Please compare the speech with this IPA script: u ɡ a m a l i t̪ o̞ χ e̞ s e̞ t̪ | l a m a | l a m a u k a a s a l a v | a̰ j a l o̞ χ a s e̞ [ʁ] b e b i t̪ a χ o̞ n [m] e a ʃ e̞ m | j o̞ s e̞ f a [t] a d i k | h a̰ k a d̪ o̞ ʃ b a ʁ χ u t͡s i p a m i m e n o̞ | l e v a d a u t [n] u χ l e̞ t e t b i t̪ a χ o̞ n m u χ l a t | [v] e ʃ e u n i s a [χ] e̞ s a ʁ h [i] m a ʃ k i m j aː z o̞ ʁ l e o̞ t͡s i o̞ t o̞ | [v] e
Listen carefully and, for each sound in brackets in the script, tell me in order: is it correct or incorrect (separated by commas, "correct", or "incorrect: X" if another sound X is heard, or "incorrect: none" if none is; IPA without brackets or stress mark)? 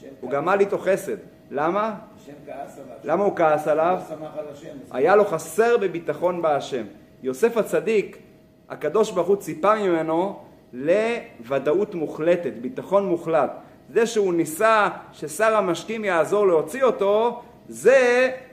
correct, incorrect: b, incorrect: t͡s, incorrect: m, incorrect: z, incorrect: ʃ, incorrect: a, incorrect: z